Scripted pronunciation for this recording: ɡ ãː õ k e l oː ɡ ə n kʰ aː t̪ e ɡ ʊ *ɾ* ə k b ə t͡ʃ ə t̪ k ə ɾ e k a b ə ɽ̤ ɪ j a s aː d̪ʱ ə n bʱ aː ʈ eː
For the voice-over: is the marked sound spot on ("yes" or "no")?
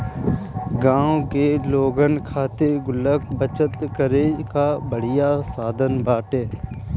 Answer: no